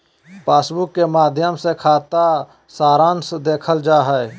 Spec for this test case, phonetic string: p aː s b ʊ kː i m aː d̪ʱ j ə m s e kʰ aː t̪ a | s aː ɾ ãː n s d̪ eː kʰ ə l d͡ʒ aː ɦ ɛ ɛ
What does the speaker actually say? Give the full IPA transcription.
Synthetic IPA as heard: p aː s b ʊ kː e m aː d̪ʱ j ə m s e kʰ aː t̪ a | s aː ɾ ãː n s d̪ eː kʰ ə l d͡ʒ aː ɦ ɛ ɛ

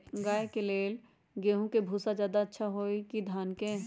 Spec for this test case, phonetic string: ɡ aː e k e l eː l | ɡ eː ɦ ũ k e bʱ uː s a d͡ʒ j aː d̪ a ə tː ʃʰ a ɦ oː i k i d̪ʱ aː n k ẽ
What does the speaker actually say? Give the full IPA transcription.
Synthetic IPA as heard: ɡ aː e k e l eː l | ɡ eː ɦ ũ k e bʱ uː s a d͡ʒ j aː d̪ a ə tː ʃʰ a ɦ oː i k i d̪ʱ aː n k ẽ

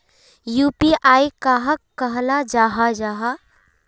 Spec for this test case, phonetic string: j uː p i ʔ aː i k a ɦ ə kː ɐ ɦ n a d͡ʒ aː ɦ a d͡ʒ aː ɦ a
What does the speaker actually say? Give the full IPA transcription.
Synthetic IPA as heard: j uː p i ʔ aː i k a ɦ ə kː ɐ ɦ n a d͡ʒ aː ɦ a d͡ʒ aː ɦ a

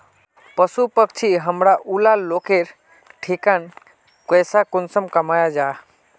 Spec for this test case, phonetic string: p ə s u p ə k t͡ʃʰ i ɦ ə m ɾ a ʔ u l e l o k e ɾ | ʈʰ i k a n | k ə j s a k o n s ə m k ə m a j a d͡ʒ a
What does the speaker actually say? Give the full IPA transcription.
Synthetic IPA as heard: p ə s u p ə k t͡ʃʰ i ɦ ə m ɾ a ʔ u l a l o k e ɾ | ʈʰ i k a n | k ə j s a k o n s ə m k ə m a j a d͡ʒ a

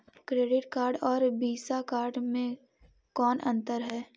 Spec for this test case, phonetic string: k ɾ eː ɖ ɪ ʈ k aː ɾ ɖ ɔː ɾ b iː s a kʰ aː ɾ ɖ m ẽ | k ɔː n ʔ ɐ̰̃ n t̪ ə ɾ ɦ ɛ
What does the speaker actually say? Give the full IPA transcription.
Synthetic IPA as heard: k ɾ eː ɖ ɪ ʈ k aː ɾ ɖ ɔː ɾ b iː s a k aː ɾ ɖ m ẽ | k ɔː n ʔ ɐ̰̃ n t̪ ə ɾ ɦ ɛː

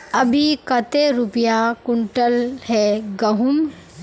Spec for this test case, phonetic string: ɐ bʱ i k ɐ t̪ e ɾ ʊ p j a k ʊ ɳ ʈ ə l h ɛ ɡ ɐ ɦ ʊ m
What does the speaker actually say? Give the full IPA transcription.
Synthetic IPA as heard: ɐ bʱ i k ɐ t̪ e ɾ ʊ p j a k ʊ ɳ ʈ ə l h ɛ ɡ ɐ ɦ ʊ m

